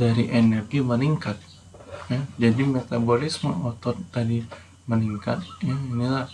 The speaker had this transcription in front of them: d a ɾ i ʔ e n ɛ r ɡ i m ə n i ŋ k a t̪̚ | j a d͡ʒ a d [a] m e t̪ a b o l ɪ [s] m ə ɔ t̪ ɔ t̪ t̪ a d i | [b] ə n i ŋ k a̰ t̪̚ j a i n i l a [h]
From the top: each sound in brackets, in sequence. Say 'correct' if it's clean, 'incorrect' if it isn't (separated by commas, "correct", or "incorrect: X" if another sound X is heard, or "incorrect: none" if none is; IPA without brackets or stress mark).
incorrect: i, correct, incorrect: m, correct